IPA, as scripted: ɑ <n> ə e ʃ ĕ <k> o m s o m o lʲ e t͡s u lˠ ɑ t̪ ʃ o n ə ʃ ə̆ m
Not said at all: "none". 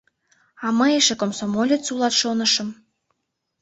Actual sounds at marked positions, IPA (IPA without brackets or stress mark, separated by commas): m, k